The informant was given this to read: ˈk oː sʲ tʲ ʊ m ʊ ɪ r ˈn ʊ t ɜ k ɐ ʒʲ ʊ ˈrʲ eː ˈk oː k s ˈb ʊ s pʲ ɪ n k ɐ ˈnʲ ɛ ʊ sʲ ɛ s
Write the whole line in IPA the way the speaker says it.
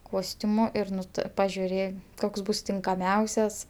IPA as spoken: ˈk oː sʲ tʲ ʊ m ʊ ɪ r ˈn ʊ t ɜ p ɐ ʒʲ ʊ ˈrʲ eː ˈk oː k s ˈb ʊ s tʲ ɪ ŋ k ɐ ˈmʲ ɛ ʊ sʲ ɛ s